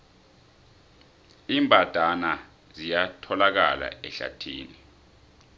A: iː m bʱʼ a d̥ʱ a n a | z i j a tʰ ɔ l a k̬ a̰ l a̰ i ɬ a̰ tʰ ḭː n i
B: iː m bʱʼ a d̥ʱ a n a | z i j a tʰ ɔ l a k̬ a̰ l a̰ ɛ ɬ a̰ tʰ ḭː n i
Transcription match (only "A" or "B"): B